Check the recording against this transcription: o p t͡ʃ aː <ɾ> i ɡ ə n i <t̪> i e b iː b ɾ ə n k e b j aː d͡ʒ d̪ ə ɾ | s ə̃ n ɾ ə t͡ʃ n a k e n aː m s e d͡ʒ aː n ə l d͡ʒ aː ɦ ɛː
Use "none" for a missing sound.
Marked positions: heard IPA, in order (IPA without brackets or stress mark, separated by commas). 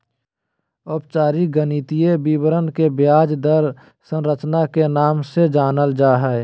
ɾ, t̪